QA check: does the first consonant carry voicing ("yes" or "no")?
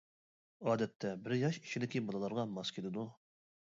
yes